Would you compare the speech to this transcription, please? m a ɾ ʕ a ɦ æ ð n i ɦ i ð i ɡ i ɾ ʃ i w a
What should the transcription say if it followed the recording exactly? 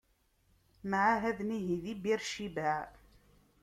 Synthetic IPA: m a ʕ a ɦ æ ð n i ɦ i ð i b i ɾ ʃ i b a